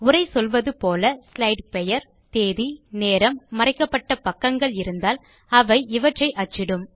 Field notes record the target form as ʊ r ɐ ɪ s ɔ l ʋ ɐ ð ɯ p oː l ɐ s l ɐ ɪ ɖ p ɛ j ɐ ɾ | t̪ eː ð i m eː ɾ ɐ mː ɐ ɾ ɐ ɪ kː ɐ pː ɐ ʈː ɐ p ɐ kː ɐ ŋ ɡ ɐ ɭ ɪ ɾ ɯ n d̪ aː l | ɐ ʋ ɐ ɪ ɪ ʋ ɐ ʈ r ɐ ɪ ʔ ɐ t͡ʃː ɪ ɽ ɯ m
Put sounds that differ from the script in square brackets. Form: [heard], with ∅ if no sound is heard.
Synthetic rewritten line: ʊ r ɐ ɪ s ɔ l ʋ ɐ ð ɯ p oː l ɐ s l ɐ ɪ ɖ p ɛ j ɐ ɾ | t̪ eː ð i [n] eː ɾ ɐ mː ɐ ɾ ɐ ɪ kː ɐ pː ɐ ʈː ɐ p ɐ kː ɐ ŋ ɡ ɐ ɭ ɪ ɾ ɯ n d̪ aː l | ɐ ʋ ɐ ɪ ɪ ʋ ɐ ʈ r ɐ ɪ ʔ ɐ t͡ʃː ɪ ɽ ɯ m